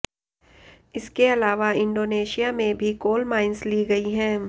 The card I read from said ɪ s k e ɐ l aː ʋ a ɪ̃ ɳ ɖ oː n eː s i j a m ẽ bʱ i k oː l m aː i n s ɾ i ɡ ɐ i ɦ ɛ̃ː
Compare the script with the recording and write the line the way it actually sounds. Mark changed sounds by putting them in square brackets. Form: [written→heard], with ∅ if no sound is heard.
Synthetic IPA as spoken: ɪ s k e ɐ l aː ʋ a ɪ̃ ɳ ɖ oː n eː [s→ʃ] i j a m ẽ bʱ i k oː l m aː [i→ɪ] n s [ɾ→l] i ɡ ɐ i ɦ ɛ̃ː